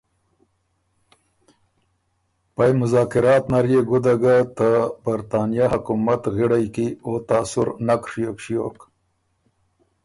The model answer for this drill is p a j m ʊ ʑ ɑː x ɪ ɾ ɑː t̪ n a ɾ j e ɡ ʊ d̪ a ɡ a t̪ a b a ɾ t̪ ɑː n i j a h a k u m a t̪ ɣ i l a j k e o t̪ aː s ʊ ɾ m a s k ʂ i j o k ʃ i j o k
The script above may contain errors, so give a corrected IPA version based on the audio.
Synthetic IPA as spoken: p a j m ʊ z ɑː k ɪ ɾ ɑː t̪ n a ɾ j e ɡ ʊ d̪ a ɡ a t̪ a b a ɾ t̪ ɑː n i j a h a k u m a t̪ ɣ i ɽ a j k i o t̪ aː s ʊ ɾ n a k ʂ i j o k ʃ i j o k